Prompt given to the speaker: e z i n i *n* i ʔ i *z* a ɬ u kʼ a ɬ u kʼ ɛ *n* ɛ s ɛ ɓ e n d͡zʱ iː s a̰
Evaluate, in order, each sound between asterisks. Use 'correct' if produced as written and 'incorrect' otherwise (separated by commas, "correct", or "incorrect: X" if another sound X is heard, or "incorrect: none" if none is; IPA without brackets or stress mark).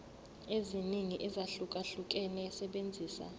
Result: incorrect: ŋ, correct, correct